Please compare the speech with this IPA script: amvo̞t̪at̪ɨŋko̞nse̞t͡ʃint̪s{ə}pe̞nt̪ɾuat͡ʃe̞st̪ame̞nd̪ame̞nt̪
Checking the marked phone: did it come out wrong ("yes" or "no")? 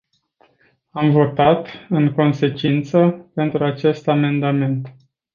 no